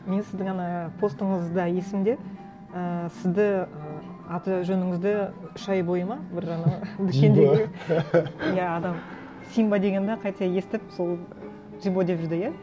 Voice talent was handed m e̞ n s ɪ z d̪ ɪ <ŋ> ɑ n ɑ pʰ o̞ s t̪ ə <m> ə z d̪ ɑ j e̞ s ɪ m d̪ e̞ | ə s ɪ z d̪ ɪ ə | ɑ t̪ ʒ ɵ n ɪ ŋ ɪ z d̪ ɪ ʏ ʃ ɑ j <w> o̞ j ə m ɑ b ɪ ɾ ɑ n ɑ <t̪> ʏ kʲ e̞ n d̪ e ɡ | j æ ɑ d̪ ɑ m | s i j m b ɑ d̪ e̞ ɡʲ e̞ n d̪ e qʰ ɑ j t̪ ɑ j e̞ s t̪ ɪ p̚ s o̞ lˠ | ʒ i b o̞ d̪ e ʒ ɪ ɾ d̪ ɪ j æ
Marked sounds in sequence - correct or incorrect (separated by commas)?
correct, incorrect, incorrect, incorrect